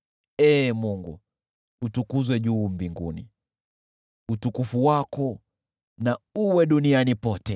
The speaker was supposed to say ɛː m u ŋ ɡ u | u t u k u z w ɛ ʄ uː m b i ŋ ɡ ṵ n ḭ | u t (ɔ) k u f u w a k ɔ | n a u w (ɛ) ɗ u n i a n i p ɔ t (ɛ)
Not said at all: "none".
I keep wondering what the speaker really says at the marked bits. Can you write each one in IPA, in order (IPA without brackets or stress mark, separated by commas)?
u, ɛ, ɛ